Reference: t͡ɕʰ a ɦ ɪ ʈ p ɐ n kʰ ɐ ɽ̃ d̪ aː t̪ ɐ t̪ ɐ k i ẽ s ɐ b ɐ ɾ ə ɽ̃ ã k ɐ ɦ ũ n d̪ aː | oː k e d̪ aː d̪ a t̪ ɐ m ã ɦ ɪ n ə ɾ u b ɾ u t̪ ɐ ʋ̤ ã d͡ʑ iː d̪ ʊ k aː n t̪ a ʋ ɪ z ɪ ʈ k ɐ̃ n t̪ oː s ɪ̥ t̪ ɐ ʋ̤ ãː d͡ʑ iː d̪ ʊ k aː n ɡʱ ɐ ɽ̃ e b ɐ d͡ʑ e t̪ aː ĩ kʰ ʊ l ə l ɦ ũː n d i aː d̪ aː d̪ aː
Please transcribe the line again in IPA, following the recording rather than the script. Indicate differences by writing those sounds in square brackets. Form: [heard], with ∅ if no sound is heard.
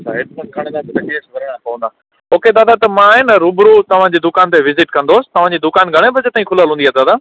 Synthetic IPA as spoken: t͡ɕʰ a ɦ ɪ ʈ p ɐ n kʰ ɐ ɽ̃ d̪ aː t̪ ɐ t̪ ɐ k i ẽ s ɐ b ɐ ɾ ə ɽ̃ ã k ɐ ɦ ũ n d̪ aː | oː k e d̪ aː d̪ a t̪ ɐ m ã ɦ ɪ n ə ɾ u b ɾ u t̪ ɐ ʋ̤ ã d͡ʑ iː d̪ ʊ k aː n t̪ [e] ʋ ɪ z ɪ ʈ k ɐ̃ n [d̪] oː s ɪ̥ t̪ ɐ ʋ̤ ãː d͡ʑ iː d̪ ʊ k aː n ɡʱ ɐ ɽ̃ e b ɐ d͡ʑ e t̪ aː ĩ kʰ ʊ l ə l ɦ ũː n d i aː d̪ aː d̪ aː